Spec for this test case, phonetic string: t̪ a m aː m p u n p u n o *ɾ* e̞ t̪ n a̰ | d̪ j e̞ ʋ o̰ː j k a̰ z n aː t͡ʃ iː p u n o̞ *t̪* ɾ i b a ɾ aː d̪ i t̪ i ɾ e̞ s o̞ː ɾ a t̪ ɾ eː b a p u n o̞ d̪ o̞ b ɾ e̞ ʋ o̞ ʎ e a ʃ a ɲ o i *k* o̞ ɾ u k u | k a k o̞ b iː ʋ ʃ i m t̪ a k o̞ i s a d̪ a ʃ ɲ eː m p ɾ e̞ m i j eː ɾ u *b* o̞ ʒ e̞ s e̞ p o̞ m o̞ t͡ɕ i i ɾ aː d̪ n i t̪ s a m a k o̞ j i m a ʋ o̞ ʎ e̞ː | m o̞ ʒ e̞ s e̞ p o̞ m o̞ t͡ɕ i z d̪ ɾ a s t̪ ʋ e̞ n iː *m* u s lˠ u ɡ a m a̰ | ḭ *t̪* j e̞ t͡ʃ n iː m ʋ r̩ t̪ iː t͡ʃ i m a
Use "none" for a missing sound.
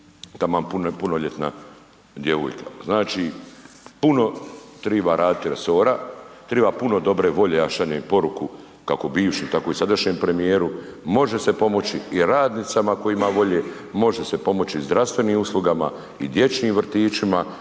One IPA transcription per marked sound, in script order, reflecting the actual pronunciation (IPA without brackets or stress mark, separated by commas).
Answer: ʎ, t̪, p, m, m, d̪